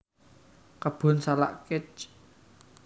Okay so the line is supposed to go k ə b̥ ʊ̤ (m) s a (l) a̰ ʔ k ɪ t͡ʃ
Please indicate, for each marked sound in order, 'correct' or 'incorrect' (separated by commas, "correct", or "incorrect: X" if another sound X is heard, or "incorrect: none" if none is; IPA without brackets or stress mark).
incorrect: n, correct